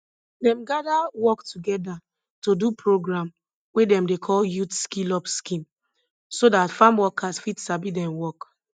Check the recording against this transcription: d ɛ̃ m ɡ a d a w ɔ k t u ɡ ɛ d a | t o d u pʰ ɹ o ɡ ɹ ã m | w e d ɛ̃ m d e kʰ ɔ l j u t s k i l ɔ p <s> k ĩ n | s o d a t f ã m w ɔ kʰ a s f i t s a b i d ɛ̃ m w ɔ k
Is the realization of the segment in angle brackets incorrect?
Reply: no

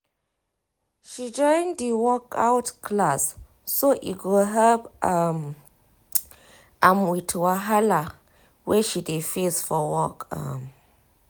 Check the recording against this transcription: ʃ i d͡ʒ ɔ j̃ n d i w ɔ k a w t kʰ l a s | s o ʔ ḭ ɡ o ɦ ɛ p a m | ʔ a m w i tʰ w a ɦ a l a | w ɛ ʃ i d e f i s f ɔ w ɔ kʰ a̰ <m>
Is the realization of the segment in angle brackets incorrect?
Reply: no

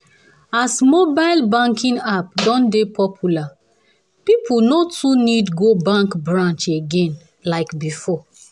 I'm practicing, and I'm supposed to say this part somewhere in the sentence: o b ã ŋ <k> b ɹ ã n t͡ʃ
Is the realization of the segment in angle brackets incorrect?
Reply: no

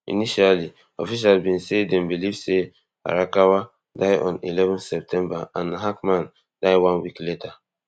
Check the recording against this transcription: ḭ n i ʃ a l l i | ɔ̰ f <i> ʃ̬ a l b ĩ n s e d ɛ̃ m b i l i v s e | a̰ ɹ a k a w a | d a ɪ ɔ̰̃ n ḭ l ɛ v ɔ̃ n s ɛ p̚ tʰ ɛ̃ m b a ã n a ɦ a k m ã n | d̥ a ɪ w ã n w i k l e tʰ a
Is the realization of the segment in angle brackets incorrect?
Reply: no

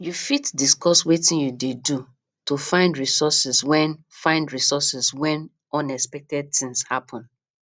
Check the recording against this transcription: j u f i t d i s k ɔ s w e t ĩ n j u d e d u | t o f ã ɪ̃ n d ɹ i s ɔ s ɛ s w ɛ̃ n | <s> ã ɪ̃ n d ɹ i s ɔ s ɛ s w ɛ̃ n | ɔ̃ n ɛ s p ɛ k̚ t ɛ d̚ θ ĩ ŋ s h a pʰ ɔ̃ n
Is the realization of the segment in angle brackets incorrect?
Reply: yes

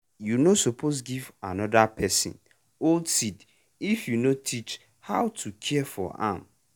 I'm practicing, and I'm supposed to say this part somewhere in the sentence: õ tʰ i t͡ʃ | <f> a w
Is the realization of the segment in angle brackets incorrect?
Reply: yes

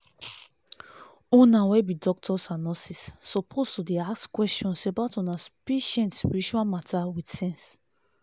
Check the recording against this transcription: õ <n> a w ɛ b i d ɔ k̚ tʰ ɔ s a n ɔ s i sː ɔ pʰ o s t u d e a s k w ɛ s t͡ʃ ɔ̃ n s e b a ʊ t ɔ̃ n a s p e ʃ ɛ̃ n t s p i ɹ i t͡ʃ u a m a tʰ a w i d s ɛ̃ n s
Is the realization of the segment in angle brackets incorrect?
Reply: no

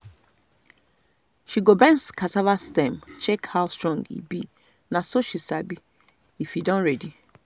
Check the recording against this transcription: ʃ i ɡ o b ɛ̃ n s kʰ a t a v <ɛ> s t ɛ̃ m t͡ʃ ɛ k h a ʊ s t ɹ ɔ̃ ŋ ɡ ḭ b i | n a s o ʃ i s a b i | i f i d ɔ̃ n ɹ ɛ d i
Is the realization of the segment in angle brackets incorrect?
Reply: yes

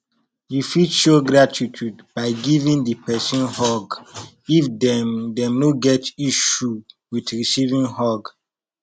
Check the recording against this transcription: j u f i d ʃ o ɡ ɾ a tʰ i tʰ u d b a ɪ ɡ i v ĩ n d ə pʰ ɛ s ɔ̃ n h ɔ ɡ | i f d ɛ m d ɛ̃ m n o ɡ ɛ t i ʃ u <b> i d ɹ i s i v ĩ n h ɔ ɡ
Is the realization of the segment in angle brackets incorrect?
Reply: yes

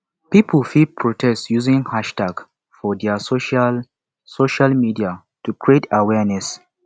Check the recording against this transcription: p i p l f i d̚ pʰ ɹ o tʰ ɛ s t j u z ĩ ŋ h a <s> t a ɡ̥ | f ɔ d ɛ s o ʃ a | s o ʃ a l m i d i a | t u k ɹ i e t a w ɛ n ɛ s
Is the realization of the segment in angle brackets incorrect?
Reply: yes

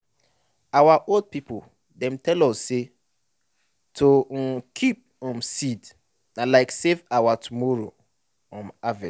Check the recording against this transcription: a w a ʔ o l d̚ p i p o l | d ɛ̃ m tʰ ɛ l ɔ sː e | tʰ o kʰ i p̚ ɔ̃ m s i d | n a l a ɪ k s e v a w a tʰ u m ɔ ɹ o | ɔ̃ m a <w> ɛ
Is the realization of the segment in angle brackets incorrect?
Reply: yes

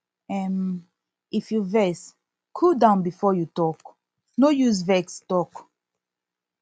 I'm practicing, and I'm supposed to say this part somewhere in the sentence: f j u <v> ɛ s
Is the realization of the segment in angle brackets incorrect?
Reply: no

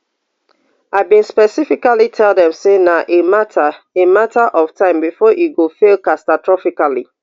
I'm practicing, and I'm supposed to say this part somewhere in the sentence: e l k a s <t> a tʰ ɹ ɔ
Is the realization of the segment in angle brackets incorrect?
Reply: no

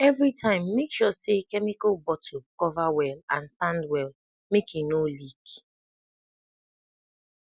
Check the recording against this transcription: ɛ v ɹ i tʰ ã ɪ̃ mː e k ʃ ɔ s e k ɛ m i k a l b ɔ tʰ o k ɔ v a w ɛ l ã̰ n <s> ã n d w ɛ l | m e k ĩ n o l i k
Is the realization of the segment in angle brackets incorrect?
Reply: no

